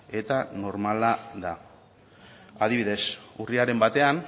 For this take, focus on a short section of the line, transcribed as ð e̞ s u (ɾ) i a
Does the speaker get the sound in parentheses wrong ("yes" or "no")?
yes